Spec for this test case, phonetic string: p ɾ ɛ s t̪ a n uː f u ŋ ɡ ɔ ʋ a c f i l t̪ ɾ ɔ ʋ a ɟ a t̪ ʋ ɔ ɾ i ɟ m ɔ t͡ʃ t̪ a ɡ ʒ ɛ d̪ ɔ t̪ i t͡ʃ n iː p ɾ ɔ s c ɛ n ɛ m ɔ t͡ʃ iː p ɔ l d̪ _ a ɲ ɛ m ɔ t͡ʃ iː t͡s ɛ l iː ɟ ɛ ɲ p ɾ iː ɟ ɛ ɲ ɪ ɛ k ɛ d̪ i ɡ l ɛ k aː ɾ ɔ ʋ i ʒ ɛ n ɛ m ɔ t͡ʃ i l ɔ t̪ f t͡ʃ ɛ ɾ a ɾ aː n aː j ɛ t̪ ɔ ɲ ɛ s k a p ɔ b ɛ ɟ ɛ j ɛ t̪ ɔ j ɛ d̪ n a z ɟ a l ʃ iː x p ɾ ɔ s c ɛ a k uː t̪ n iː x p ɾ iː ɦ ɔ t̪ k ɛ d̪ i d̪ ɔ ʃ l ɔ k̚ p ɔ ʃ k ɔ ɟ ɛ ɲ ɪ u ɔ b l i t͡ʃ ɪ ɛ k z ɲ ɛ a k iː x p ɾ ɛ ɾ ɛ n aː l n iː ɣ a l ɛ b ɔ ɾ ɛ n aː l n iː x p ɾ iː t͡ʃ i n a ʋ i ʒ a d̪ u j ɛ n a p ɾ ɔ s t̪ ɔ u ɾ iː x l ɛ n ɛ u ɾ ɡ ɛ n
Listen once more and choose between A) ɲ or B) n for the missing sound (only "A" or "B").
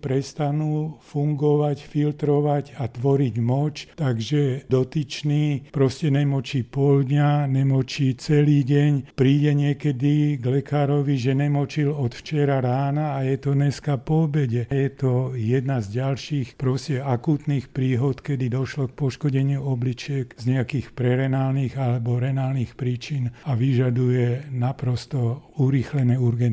A